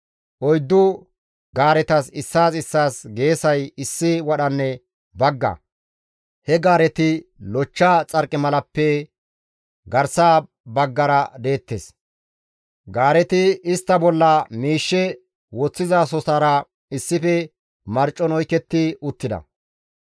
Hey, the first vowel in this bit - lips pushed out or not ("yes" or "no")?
yes